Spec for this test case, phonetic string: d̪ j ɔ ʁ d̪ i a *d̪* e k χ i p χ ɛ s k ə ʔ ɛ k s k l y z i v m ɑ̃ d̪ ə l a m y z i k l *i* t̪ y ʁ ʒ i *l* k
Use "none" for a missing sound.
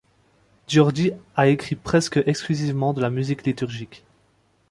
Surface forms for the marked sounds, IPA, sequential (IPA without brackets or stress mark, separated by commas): none, i, none